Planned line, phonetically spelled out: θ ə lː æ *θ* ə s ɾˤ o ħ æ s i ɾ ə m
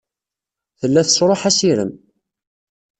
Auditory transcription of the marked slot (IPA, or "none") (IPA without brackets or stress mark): θ